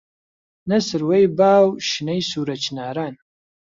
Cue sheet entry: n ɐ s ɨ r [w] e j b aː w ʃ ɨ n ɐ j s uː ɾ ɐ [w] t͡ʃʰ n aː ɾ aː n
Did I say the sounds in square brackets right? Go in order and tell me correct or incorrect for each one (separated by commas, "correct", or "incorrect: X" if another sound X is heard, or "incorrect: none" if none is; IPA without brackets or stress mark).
correct, incorrect: none